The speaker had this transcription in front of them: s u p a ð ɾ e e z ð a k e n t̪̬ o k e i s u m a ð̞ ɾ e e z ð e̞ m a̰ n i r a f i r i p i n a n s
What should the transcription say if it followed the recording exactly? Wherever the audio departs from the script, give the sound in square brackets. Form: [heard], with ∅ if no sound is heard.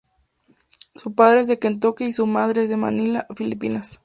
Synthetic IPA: s u p a ð ɾ e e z ð [e] k e n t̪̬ o k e i s u m a ð̞ ɾ e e z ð e̞ m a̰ n i [l] a f i [l] i p i n a [∅] s